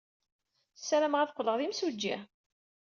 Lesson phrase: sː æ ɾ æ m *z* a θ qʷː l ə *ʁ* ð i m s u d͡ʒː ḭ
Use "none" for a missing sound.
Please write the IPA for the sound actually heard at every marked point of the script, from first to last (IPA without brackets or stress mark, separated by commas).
ʁ, ʁ